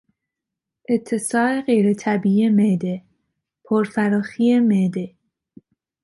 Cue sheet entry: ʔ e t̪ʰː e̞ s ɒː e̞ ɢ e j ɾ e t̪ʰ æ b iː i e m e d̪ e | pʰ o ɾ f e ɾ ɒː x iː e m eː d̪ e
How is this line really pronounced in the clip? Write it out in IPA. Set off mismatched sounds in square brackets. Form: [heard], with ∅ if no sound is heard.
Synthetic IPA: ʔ e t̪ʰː e̞ s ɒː e̞ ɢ e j ɾ e t̪ʰ æ b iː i e m e d̪ e | pʰ o ɾ f [æ] ɾ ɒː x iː e m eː d̪ e